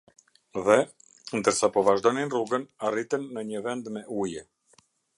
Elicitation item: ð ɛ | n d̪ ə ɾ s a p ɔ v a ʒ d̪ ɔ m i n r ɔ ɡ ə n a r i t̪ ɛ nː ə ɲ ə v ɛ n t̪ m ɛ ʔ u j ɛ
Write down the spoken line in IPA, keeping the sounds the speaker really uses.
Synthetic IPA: ð ɛ | n d̪ ə ɾ s a p ɔ v a ʒ d̪ ɔ n i n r u ɡ ə n a r i t̪ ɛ nː ə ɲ ə v ɛ n d̪ m ɛ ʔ u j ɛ